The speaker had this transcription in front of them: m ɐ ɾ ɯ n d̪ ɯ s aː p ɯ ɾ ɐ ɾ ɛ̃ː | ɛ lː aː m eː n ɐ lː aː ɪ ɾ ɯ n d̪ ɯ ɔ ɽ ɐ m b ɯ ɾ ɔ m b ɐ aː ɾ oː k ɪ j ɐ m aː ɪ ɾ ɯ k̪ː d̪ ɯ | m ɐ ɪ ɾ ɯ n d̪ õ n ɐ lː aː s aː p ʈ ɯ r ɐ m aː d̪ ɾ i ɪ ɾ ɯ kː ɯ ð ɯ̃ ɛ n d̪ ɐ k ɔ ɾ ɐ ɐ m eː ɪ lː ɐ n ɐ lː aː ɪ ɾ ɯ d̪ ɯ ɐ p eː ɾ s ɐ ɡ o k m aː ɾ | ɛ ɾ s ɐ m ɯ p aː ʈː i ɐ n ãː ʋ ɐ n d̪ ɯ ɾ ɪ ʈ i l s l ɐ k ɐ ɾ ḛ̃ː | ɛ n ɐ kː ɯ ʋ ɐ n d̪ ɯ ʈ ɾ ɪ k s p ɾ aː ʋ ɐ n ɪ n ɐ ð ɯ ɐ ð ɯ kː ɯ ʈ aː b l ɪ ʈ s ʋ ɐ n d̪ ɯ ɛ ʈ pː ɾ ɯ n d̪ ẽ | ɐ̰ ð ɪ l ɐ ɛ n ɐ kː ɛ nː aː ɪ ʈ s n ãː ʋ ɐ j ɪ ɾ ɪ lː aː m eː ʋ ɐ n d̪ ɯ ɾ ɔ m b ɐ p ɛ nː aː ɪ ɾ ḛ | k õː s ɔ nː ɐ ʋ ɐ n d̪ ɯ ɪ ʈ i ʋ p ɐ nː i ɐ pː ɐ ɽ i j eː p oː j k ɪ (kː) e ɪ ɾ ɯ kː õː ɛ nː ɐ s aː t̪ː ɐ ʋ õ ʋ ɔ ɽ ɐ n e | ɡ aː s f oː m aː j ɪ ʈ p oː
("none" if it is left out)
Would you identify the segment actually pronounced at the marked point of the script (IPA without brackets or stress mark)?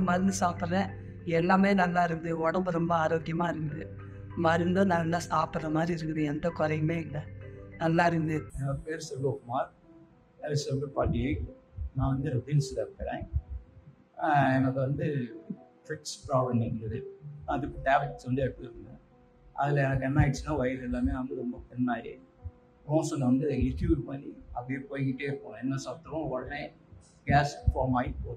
ʈː